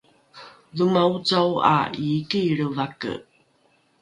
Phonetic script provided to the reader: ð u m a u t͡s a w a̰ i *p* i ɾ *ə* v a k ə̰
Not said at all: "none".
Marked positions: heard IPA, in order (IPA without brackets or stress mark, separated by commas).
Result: k, ə